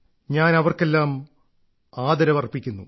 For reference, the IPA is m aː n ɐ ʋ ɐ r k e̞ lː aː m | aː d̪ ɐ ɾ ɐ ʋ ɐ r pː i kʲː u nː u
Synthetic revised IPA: ɲ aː n ɐ ʋ ɐ r k e̞ lː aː m | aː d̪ ɐ ɾ ɐ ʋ ɐ r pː i kʲː u nː u